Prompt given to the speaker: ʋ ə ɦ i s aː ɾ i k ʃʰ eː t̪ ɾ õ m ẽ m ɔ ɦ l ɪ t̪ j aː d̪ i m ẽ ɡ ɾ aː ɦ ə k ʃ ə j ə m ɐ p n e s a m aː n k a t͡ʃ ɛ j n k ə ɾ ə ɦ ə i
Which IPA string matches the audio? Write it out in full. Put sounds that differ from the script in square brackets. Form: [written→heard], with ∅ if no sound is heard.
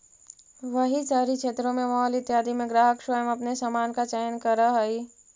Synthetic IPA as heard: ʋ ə ɦ i s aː ɾ i k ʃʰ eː t̪ ɾ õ m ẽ m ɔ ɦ l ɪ t̪ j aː d̪ i m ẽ ɡ ɾ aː ɦ ə k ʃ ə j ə m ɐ p n e s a m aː n k a t͡ʃ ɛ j n k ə ɾ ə ɦ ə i